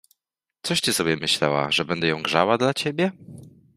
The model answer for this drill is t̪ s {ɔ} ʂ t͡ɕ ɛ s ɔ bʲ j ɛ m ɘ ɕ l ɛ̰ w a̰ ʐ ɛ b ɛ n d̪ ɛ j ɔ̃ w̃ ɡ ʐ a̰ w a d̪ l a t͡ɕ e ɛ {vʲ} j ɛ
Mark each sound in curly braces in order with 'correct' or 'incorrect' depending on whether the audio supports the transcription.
correct, incorrect: bʲ

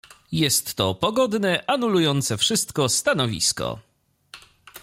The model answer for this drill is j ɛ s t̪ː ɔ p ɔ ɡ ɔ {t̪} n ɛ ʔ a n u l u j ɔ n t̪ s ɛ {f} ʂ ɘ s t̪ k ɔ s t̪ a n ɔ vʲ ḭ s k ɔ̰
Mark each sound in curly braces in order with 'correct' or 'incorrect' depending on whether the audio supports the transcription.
incorrect: d̪, correct

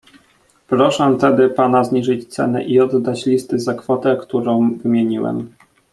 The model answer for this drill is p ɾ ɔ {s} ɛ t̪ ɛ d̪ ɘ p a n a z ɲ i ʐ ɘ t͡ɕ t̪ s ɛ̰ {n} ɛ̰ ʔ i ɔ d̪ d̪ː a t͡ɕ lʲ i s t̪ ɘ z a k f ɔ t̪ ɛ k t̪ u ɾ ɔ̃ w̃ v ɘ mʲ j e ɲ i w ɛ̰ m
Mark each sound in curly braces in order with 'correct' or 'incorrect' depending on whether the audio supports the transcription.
incorrect: ʂ, correct

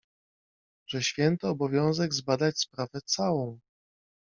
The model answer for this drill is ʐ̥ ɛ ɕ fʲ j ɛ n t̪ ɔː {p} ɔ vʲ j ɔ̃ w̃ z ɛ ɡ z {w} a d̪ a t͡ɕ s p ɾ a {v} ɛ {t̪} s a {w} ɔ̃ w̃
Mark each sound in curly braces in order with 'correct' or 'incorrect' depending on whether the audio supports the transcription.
incorrect: b, incorrect: b, correct, correct, correct

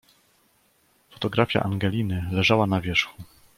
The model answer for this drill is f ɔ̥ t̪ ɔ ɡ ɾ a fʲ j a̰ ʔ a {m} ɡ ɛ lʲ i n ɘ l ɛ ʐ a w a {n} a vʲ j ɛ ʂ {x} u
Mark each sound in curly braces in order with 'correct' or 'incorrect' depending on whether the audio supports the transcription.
incorrect: ŋ, correct, correct

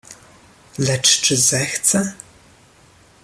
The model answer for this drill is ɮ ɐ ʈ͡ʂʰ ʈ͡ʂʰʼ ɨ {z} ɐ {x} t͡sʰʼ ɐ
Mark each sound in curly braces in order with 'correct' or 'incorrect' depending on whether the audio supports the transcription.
correct, correct

